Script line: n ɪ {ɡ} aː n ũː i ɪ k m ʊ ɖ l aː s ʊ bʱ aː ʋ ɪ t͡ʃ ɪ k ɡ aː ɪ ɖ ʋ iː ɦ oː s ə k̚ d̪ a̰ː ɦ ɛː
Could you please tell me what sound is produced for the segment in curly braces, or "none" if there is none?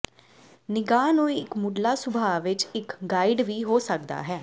ɡ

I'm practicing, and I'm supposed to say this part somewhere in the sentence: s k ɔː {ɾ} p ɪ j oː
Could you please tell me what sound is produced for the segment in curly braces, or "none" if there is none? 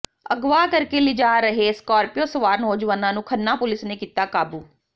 ɾ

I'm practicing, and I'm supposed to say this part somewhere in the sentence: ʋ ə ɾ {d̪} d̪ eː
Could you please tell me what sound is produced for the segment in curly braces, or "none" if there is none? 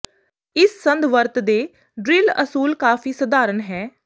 t̪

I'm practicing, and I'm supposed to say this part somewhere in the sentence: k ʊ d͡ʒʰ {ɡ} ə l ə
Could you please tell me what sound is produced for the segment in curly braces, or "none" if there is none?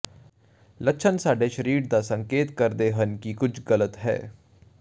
ɡ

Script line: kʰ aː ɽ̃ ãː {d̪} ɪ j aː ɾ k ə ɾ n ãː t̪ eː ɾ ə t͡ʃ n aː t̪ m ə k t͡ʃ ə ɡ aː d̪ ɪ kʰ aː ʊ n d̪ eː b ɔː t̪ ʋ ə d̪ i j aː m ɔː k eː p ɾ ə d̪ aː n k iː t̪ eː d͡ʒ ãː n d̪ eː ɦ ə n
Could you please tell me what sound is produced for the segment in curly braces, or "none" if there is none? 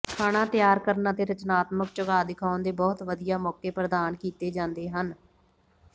t̪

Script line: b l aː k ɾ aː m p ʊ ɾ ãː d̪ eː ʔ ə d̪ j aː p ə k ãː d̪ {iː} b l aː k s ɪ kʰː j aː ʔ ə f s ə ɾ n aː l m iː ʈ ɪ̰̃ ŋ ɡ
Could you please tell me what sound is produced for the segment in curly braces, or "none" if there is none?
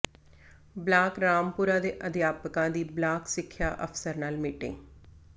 iː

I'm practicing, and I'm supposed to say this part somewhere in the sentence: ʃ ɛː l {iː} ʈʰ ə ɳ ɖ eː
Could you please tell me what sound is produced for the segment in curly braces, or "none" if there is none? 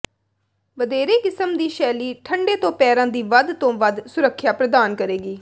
iː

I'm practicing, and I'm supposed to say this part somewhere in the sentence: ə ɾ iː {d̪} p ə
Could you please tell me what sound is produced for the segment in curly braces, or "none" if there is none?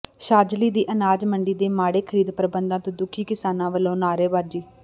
d̪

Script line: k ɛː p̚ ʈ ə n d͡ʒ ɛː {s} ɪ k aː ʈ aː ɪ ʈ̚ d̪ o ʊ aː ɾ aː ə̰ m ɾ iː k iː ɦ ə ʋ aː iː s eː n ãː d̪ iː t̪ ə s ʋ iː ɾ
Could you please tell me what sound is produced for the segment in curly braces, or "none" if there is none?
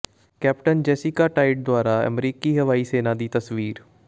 s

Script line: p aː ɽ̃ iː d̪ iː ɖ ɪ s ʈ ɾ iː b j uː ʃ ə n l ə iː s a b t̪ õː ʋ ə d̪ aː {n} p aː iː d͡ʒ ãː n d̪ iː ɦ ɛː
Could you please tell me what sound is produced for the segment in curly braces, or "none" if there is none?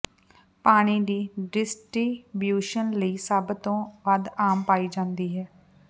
m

